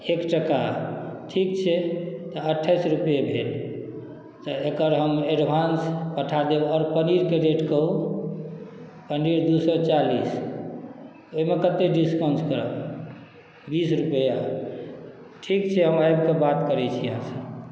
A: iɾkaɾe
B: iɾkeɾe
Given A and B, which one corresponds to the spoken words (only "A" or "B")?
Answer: B